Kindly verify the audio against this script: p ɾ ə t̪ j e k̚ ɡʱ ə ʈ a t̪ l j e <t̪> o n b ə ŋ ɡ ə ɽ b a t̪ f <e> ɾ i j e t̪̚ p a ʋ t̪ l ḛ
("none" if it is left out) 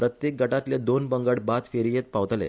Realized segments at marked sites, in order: d̪, e

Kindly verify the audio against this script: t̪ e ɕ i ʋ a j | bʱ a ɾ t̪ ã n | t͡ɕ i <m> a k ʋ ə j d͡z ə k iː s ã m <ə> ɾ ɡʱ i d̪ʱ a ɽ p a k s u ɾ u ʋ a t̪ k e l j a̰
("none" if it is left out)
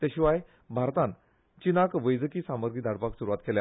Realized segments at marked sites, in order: n, ə

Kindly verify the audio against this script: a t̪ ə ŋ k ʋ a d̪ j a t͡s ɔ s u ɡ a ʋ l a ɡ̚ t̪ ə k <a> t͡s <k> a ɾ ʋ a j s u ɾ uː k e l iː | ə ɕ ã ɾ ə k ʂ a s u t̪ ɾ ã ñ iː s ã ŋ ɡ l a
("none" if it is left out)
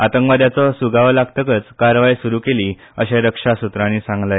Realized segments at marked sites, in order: ə, k

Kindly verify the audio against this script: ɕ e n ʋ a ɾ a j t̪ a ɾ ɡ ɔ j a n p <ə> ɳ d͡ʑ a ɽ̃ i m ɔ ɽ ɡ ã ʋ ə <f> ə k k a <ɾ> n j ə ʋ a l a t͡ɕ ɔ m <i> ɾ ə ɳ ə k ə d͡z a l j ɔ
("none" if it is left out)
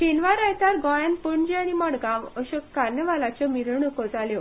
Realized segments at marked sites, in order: ə, ɕ, ɾ, i

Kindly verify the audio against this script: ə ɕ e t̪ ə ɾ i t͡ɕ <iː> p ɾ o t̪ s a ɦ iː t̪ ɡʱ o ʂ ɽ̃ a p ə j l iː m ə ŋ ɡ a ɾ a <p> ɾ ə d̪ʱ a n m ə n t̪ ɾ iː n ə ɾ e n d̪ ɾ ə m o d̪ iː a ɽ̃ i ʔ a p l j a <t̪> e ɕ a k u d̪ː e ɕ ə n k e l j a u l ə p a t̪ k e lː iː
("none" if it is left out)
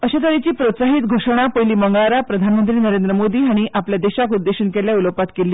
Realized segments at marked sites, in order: iː, p, d̪

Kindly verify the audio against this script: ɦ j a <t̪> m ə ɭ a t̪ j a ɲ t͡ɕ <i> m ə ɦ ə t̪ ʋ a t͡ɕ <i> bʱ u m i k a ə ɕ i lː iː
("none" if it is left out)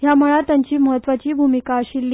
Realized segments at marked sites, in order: none, iː, iː

